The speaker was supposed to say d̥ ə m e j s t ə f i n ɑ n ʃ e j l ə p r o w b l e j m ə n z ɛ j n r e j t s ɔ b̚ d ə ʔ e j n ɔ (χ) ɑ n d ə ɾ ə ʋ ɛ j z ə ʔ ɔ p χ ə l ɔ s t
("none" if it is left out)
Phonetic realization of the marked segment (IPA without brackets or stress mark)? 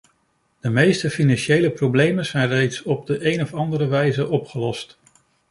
f